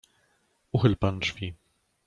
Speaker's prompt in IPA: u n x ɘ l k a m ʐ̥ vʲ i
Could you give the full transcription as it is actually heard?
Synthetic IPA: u x ɘ l p a n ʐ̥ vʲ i